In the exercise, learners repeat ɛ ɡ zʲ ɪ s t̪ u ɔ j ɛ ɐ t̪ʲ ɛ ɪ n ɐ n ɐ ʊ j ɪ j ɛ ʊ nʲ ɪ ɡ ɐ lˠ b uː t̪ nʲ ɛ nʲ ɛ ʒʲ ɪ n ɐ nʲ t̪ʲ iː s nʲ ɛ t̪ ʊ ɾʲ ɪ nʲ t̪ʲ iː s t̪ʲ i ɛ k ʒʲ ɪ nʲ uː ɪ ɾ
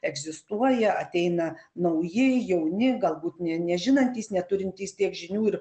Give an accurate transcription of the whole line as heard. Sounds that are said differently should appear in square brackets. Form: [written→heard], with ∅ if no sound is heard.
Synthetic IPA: ɛ ɡ zʲ ɪ s t̪ u ɔ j ɛ ɐ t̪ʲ ɛ ɪ n ɐ n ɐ ʊ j ɪ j ɛ ʊ nʲ ɪ ɡ ɐ lˠ b uː t̪ nʲ ɛ nʲ ɛ ʒʲ ɪ n ɐ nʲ t̪ʲ iː s nʲ ɛ t̪ ʊ ɾʲ ɪ nʲ t̪ʲ iː s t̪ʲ i ɛ k ʒʲ ɪ nʲ uː ɪ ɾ